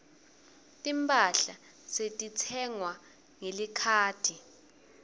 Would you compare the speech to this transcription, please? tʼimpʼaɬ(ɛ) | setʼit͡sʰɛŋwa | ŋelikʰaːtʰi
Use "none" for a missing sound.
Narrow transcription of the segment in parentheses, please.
a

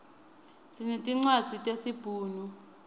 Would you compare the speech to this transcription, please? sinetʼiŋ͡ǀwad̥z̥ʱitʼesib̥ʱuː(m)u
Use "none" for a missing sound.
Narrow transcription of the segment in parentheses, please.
n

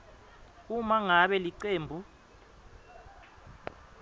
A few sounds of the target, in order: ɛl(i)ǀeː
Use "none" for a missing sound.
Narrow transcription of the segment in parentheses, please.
i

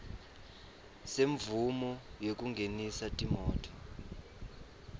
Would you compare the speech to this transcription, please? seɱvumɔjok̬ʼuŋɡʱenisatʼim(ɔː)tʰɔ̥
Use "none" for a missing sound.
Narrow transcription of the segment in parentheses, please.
ɔː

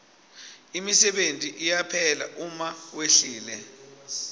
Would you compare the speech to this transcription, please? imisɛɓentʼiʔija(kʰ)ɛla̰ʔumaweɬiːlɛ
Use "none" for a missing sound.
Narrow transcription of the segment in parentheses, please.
pʰ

